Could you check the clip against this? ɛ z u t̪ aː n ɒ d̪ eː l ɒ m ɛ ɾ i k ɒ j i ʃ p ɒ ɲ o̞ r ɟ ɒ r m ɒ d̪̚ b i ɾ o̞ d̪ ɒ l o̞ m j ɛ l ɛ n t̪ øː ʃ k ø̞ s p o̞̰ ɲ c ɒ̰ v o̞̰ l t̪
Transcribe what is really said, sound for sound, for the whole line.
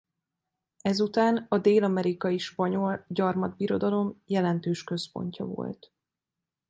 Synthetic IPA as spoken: ɛ z u t̪ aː n ɒ d̪ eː l ɒ m ɛ ɾ i k ɒ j i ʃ p ɒ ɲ o̞ l ɟ ɒ r m ɒ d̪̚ b i ɾ o̞ d̪ ɒ l o̞ m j ɛ l ɛ n t̪ øː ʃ k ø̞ s p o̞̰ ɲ c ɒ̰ v o̞̰ l t̪